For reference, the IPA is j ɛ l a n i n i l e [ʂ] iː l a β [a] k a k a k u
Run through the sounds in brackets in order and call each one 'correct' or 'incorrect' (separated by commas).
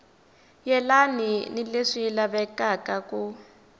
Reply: correct, incorrect